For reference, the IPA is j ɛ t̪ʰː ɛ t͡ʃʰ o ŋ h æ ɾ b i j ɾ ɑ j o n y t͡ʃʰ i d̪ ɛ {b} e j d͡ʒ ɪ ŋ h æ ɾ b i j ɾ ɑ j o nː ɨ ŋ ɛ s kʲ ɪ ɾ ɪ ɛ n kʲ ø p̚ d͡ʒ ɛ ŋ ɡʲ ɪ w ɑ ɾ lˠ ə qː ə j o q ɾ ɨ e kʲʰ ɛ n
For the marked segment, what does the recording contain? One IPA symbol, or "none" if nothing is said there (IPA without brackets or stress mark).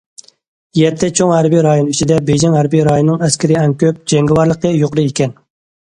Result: b